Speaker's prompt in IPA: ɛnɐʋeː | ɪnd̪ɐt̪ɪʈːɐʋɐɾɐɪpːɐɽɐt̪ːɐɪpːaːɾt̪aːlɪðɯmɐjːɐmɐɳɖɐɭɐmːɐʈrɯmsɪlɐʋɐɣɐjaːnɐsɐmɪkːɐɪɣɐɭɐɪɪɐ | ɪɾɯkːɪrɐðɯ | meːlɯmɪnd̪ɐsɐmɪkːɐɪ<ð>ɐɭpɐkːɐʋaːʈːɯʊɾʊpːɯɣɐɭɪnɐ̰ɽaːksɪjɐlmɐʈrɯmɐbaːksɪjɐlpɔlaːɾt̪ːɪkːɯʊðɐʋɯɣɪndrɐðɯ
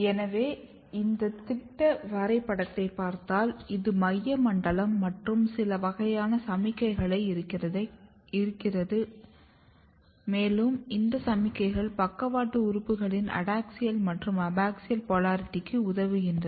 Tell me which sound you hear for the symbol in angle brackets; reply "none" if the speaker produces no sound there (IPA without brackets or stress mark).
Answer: ɣ